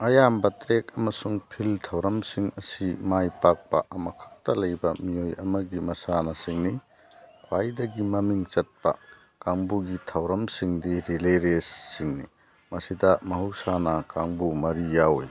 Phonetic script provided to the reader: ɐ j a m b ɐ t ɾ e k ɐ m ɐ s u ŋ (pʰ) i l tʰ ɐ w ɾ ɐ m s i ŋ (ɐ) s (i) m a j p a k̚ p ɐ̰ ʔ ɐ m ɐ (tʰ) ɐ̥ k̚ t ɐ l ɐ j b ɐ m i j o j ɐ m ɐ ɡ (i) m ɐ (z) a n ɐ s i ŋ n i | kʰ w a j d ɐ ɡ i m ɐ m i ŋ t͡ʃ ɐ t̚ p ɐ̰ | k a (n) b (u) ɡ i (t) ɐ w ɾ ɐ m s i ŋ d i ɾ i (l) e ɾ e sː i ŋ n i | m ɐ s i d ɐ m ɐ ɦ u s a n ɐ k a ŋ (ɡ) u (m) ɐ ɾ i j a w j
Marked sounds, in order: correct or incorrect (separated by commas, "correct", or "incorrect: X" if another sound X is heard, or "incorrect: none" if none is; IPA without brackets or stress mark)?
correct, correct, correct, incorrect: kʰ, correct, incorrect: s, incorrect: ŋ, correct, incorrect: tʰ, correct, incorrect: b, correct